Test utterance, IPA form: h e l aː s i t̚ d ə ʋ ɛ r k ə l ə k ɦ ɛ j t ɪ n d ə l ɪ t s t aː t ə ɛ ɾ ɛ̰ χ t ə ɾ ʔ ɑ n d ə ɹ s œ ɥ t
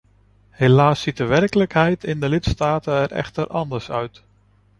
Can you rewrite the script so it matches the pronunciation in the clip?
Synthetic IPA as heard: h e l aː s i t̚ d ə ʋ ɛ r k ə l ə k ɦ ɛ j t ɪ n d ə l ɪ t s t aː t ə ɛ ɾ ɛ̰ χ t ə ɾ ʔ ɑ n d ə ɹ s œ ɥ t